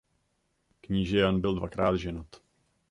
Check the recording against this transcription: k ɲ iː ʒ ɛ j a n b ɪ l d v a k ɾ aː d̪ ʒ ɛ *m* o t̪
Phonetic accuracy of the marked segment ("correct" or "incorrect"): incorrect